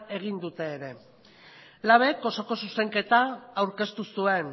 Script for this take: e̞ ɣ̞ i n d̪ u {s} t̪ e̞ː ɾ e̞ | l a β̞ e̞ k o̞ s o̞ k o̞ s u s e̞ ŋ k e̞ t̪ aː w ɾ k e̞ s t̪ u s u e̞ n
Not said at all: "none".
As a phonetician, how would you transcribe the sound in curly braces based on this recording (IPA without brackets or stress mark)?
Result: none